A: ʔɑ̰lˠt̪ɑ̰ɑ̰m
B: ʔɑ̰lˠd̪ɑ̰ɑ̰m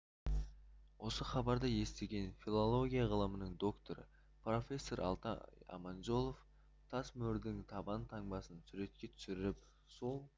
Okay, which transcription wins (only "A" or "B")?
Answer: A